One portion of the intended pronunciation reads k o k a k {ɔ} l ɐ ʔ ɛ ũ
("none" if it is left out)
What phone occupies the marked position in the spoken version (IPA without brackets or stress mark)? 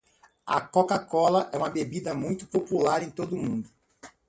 ɔ